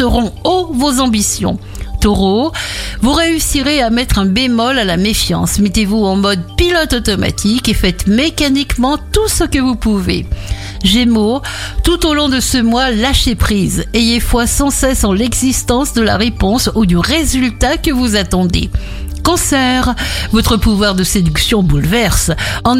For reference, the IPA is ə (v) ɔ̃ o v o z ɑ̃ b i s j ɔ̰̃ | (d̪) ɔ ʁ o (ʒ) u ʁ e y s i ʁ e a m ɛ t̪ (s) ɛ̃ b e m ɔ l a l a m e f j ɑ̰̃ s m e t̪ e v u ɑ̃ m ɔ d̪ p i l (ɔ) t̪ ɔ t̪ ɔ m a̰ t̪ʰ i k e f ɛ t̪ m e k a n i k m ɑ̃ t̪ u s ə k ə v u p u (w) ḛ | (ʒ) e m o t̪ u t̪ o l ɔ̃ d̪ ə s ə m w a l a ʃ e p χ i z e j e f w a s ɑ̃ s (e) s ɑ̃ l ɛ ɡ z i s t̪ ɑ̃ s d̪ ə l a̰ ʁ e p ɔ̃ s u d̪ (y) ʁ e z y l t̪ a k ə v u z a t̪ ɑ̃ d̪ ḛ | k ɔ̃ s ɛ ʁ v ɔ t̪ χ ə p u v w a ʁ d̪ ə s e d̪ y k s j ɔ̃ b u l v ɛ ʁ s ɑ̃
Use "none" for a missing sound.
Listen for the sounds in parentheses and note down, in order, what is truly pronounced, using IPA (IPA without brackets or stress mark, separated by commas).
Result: ʁ, t̪, v, χ, ɔ, v, ʒ, ɛ, y